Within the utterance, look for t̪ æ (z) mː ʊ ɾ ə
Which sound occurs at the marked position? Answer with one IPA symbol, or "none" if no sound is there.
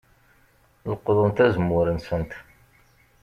z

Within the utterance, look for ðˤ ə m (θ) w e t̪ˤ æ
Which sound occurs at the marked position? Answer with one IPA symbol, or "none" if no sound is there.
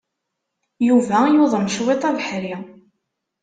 ʃ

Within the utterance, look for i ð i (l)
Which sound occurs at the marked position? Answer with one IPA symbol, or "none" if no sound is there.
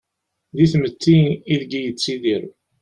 ɾ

